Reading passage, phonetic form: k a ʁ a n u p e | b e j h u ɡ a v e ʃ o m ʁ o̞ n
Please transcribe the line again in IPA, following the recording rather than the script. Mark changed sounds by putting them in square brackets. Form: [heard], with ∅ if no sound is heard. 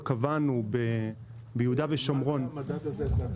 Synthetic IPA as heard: k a [v] a n u [b] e | b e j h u [d] a v e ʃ o m ʁ o̞ n